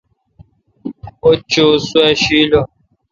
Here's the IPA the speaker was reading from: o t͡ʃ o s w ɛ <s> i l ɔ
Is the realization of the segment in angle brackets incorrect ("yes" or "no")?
yes